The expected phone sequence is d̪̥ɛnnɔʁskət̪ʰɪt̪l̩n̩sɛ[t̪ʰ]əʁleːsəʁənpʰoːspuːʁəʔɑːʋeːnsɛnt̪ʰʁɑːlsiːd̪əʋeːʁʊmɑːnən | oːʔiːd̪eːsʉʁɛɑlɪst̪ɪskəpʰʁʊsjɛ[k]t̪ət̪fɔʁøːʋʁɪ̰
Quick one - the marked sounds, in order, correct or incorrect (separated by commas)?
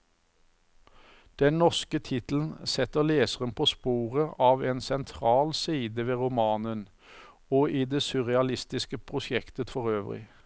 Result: incorrect, correct